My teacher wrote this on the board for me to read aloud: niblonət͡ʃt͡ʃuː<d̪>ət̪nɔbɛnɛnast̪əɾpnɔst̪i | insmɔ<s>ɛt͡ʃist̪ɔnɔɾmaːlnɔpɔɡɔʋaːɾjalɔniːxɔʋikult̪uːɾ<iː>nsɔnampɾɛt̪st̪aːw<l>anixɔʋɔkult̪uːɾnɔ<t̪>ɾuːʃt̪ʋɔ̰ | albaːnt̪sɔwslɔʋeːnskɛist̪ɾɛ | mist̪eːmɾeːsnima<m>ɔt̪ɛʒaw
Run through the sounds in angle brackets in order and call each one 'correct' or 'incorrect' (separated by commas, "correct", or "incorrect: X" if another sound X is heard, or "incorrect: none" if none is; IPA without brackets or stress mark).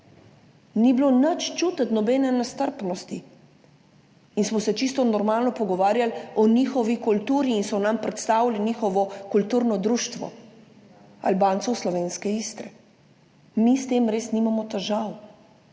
incorrect: t̪, correct, correct, correct, incorrect: d̪, correct